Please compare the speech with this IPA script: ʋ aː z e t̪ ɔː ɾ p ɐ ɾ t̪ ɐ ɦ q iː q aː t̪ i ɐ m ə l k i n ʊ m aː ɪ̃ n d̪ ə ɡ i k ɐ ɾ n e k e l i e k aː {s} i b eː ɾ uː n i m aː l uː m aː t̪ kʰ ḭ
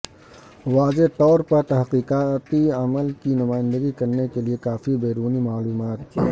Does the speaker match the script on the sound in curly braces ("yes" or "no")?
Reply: no